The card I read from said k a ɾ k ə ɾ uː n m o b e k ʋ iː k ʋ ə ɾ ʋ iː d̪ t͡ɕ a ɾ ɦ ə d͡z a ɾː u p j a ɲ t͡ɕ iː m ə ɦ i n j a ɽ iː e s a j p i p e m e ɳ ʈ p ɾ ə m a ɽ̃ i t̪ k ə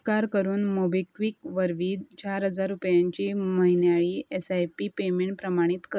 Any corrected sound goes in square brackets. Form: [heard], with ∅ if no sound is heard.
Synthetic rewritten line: k a ɾ k ə ɾ uː n m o b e k ʋ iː k ʋ ə ɾ ʋ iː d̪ t͡ɕ a ɾ ɦ ə d͡z a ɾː u p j a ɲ t͡ɕ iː m ə ɦ i n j a [ɭ] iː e s a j p i p e m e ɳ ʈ p ɾ ə m a ɽ̃ i t̪ k ə

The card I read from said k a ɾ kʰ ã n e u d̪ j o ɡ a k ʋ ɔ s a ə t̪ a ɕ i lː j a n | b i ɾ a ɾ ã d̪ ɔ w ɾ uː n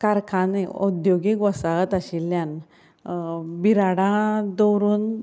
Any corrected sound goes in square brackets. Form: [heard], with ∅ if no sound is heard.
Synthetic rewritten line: k a ɾ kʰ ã n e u d̪ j o ɡ [i] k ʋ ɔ s a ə t̪ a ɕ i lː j a n | b i ɾ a [ɽ] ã d̪ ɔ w ɾ uː n

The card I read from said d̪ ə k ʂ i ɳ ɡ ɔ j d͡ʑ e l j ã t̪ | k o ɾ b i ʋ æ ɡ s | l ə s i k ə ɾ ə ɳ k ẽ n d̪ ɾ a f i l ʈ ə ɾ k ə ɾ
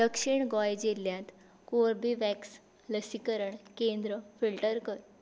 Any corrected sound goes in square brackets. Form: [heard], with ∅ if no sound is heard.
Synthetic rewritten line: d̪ ə k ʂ i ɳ ɡ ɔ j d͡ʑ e l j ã t̪ | k o ɾ b i ʋ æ [k] s | l ə s i k ə ɾ ə ɳ k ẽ n d̪ ɾ [ə] f i l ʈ ə ɾ k ə ɾ

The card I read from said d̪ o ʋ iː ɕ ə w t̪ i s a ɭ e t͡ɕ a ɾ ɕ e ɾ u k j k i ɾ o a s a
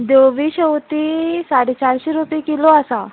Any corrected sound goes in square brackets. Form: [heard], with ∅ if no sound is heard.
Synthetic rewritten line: d̪ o ʋ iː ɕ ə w t̪ i s a [ɽ] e t͡ɕ a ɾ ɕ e ɾ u [p] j k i [l] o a s a

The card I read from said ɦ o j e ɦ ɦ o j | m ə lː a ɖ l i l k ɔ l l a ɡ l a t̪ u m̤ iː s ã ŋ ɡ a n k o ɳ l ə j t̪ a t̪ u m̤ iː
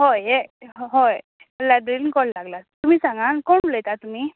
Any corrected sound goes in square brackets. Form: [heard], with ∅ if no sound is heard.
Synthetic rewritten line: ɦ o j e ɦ ɦ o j | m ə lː a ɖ [ɾ] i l k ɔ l l a ɡ l a t̪ u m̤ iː s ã ŋ ɡ a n k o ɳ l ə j t̪ a t̪ u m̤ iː

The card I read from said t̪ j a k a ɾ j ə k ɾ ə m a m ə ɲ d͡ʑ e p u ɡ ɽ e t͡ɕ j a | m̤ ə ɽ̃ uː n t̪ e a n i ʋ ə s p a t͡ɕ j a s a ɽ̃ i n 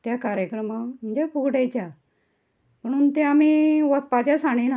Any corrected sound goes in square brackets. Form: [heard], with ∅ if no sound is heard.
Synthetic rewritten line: t̪ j a k a ɾ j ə k ɾ ə m a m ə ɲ d͡ʑ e p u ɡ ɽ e t͡ɕ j a | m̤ ə ɽ̃ uː n t̪ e a [m] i ʋ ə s p a t͡ɕ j a s a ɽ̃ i n

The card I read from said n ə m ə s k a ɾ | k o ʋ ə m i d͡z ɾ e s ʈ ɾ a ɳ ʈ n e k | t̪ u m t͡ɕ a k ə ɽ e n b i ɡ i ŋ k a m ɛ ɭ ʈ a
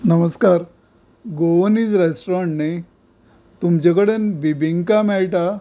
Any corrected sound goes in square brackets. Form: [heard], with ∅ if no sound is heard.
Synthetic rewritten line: n ə m ə s k a ɾ | [ɡ] o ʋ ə [n] i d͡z ɾ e s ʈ ɾ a ɳ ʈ n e [∅] | t̪ u m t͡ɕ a k ə ɽ e n b i [b] i ŋ k a m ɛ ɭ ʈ a

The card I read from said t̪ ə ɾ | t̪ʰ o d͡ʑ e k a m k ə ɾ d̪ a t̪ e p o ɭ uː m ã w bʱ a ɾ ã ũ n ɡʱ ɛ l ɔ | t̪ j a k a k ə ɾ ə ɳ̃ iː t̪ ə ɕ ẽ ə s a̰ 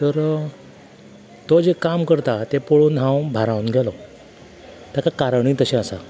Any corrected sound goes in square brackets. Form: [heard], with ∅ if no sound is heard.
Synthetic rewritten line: t̪ ə ɾ | [t̪] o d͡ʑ e k a m k ə ɾ [t̪] a t̪ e p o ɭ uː [n] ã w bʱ a ɾ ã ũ n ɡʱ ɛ l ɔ | t̪ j a k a k [a] ɾ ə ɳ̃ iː t̪ ə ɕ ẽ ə s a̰

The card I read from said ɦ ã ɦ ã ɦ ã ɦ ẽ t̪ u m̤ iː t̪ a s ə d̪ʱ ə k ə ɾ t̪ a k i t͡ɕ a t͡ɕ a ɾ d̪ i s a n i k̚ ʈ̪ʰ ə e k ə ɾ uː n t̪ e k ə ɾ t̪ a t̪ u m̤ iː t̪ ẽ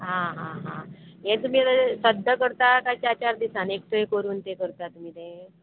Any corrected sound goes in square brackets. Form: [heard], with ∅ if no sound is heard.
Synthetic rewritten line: ɦ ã ɦ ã ɦ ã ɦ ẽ t̪ u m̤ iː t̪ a s ə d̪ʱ ə k ə ɾ t̪ a k [a] t͡ɕ a t͡ɕ a ɾ d̪ i s a n [e] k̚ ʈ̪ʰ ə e k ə ɾ uː n t̪ e k ə ɾ t̪ a t̪ u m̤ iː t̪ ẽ

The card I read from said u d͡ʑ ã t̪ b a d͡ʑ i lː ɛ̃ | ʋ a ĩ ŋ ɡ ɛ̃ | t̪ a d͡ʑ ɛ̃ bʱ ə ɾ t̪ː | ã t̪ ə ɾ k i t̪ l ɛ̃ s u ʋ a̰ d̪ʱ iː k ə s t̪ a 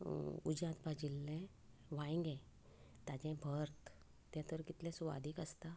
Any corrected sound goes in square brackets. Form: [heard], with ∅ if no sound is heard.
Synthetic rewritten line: u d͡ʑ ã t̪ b a d͡ʑ i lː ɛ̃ | ʋ a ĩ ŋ ɡ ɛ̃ | t̪ a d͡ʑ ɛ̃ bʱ ə ɾ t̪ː | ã t̪ ə ɾ k i t̪ l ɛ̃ s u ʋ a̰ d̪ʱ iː k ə s t̪ a

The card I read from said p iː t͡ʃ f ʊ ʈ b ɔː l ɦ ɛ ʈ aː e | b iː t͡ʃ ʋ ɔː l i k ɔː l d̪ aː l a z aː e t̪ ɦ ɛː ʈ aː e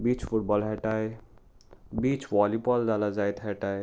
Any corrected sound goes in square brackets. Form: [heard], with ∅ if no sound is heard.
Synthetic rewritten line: [b] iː t͡ʃ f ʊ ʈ b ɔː l ɦ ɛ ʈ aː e | b iː t͡ʃ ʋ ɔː l i [p] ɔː l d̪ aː l a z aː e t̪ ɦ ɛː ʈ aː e

